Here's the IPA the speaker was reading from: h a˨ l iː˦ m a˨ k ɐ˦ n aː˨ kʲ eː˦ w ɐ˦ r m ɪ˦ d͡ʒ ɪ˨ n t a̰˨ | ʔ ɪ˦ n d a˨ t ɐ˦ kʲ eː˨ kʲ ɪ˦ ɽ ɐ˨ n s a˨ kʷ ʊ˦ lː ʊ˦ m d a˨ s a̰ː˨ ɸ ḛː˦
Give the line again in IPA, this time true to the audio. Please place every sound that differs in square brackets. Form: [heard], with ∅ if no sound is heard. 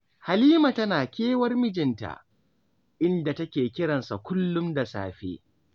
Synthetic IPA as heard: h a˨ l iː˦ m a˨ [t] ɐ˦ n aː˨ kʲ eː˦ w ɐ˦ r m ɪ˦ d͡ʒ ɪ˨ n t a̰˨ | ʔ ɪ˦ n d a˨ t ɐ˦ kʲ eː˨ kʲ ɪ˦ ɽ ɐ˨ n s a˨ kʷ ʊ˦ lː ʊ˦ m d a˨ s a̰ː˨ ɸ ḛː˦